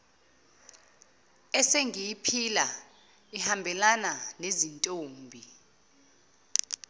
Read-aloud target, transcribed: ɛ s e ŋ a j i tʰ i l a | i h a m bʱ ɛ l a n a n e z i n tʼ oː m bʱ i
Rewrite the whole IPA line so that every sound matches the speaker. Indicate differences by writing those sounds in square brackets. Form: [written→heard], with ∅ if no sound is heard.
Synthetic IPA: ɛ s e ŋ [a→i] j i [tʰ→pʰ] i l a | i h a m bʱ ɛ l a n a n e z i n tʼ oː m bʱ i